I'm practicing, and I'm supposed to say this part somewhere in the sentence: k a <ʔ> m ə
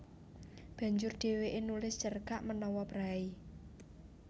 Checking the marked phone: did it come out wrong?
no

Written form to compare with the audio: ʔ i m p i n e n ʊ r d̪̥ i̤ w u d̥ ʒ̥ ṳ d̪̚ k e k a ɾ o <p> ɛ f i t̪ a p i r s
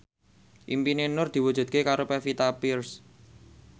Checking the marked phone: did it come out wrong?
no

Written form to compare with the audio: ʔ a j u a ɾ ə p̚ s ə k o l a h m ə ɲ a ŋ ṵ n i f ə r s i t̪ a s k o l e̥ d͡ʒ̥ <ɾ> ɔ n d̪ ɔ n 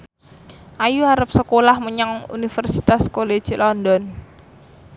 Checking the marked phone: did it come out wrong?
yes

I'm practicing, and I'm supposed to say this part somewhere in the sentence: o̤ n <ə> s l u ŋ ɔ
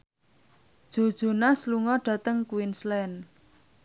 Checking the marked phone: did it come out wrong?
yes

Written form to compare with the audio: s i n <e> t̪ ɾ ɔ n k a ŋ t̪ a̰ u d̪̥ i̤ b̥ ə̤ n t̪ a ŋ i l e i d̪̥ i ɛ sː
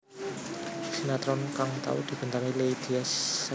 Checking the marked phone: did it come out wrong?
yes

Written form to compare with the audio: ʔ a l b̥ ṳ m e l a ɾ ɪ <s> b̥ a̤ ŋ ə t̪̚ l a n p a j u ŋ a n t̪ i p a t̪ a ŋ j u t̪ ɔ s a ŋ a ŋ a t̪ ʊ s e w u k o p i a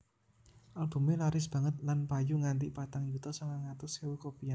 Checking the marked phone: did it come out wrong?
no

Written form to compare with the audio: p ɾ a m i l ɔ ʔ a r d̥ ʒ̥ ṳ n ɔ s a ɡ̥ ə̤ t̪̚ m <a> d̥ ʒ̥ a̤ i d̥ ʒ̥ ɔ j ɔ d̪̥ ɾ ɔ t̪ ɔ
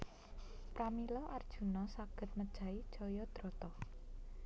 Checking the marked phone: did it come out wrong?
yes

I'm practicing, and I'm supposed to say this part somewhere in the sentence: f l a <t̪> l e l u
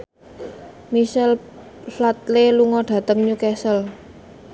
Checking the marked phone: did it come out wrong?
no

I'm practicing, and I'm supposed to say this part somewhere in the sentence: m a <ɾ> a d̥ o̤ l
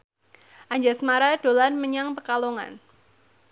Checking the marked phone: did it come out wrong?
no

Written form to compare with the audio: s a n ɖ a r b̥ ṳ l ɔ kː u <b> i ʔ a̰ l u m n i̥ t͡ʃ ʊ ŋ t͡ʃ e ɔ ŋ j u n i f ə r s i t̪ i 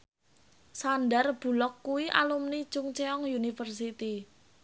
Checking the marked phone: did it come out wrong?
yes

